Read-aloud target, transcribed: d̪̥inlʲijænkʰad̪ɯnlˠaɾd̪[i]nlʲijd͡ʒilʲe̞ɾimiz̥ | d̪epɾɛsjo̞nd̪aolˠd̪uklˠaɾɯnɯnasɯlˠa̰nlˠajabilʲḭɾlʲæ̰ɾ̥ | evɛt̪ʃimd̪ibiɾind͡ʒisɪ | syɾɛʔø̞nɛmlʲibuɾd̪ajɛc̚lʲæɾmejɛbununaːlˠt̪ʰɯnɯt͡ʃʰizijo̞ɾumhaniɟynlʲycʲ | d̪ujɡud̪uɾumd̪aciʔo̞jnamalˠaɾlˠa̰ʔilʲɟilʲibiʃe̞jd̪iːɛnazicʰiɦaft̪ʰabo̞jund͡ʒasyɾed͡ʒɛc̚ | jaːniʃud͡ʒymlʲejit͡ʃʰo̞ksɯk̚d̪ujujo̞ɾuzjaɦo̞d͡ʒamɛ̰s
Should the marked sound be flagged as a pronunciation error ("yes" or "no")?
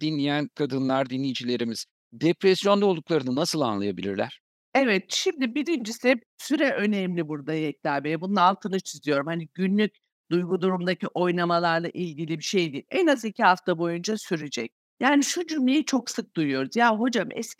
no